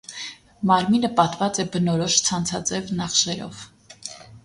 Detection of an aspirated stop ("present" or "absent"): present